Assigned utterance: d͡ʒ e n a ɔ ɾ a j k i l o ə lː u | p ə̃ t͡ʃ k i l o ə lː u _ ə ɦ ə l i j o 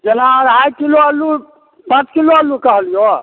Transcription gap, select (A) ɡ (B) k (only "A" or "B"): B